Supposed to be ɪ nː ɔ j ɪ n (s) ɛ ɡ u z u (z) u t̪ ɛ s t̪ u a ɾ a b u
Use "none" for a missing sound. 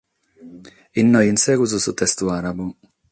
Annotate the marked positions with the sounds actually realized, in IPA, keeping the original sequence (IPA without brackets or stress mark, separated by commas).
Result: s, s